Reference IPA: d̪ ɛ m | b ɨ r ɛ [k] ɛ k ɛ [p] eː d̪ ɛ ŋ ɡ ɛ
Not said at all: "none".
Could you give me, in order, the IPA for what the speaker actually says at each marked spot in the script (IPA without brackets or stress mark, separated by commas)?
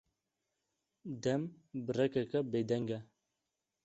k, b